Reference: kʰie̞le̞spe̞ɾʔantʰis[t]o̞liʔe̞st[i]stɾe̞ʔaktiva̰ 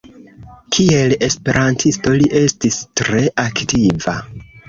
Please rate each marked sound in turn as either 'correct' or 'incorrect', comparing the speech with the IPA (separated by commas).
correct, correct